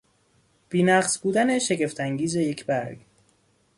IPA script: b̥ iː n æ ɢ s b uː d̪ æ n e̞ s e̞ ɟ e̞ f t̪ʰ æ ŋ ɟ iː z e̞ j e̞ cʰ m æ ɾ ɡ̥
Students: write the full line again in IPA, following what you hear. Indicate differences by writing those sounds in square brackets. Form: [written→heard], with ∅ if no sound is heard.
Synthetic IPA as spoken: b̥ iː n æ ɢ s b uː d̪ æ n e̞ [s→ʃ] e̞ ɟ e̞ f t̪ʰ æ ŋ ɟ iː z e̞ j e̞ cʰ [m→b] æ ɾ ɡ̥

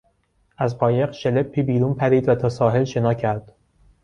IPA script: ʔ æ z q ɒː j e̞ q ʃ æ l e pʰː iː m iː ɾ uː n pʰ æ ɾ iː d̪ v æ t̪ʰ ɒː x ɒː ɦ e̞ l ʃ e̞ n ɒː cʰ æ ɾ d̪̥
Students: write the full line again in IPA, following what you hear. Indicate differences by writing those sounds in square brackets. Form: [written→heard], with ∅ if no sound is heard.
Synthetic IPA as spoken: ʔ æ z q ɒː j e̞ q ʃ [æ→e] l e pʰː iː [m→b] iː ɾ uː n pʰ æ ɾ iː d̪ v æ t̪ʰ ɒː [x→s] ɒː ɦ e̞ l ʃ e̞ n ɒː cʰ æ ɾ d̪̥

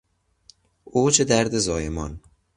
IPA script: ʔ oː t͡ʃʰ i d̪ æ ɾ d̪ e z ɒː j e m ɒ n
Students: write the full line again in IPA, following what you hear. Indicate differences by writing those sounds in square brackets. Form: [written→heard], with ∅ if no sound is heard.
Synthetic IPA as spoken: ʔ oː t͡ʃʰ [i→e] d̪ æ ɾ d̪ e z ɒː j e m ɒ n

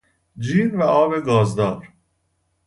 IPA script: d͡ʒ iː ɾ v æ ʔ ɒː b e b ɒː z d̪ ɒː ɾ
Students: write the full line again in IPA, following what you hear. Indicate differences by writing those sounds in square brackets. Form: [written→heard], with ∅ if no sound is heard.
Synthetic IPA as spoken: d͡ʒ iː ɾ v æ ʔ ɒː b e [b→ɡ] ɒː z d̪ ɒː ɾ

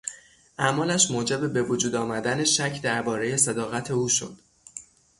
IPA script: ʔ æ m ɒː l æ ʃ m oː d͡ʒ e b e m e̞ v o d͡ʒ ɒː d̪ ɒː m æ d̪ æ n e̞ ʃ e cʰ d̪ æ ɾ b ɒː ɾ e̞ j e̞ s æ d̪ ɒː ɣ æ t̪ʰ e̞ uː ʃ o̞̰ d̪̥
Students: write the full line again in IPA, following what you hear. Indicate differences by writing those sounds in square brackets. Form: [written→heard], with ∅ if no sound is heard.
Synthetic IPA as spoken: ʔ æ m ɒː l æ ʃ m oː d͡ʒ e b e [m→b] e̞ v o d͡ʒ [ɒː→uː] d̪ ɒː m æ d̪ æ n e̞ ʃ [e→æ] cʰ d̪ æ ɾ b ɒː ɾ e̞ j e̞ s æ d̪ ɒː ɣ æ t̪ʰ e̞ uː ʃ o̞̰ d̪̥

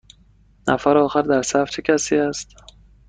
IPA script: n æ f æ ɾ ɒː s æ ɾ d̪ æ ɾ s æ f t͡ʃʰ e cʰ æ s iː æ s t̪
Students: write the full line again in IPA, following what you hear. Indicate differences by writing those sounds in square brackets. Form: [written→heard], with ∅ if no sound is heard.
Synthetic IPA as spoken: n æ f æ ɾ ɒː [s→x] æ ɾ d̪ æ ɾ s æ f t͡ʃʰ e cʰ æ s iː æ s t̪

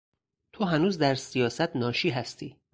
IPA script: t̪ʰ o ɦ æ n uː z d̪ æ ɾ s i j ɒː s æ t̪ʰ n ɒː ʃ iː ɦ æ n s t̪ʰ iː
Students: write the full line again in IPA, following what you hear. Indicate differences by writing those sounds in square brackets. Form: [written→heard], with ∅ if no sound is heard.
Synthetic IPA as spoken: t̪ʰ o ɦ æ n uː z d̪ æ ɾ s i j ɒː s æ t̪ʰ n ɒː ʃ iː ɦ æ [n→∅] s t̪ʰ iː

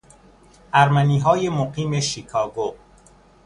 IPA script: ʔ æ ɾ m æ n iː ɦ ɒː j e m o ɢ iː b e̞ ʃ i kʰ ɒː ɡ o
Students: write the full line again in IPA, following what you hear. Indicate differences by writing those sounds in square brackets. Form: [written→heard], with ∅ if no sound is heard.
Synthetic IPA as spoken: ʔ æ ɾ m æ n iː ɦ ɒː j e m o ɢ iː [b→m] e̞ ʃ i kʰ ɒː ɡ o

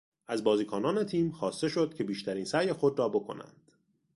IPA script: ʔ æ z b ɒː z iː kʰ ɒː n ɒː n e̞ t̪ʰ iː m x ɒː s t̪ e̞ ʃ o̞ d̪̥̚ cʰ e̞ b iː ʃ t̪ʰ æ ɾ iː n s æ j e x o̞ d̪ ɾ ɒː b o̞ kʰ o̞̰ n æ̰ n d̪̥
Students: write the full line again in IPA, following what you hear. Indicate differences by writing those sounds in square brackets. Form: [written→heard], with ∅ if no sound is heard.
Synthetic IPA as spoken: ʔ æ z b ɒː z iː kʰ ɒː n ɒː n e̞ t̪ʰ iː m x ɒː s t̪ e̞ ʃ o̞ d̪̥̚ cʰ e̞ b iː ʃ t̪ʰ æ ɾ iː n s æ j e x o̞ d̪ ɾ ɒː b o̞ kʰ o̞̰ n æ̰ n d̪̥

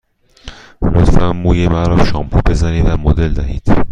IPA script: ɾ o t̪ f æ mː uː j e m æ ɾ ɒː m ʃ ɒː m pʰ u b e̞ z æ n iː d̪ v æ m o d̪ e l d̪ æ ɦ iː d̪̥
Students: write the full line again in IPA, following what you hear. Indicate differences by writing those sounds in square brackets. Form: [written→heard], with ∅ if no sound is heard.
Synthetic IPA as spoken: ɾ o t̪ f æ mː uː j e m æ ɾ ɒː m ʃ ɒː m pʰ u b e̞ z æ n iː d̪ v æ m o d̪ e l d̪ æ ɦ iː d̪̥

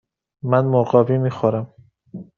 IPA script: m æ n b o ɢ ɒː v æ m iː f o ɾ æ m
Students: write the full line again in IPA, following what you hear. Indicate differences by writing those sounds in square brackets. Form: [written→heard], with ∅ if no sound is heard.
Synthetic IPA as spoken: m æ n [b→m] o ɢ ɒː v [æ→i] m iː [f→x] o ɾ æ m

